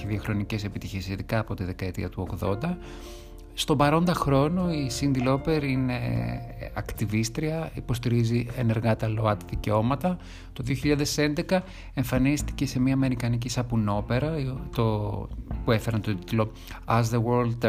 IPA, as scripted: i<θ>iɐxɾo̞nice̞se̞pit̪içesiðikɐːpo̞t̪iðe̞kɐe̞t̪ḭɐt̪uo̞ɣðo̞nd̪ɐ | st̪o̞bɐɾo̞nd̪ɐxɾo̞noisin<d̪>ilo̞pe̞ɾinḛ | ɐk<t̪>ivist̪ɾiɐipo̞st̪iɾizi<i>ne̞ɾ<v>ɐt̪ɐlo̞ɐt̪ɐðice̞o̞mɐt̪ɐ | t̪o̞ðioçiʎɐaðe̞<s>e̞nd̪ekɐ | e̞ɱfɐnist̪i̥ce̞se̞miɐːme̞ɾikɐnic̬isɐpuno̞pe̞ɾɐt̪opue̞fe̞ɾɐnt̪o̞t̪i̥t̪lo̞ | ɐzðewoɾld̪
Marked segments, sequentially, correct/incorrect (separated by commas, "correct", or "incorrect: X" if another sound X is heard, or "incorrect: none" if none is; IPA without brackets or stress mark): incorrect: ð, correct, correct, incorrect: e, incorrect: ɣ, correct